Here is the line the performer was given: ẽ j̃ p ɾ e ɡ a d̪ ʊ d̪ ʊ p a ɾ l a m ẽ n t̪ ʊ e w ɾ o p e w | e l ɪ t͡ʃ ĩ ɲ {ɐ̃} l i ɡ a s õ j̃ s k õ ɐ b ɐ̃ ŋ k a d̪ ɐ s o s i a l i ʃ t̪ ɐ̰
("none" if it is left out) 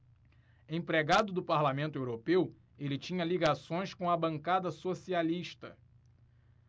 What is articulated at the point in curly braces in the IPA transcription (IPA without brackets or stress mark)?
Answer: ɐ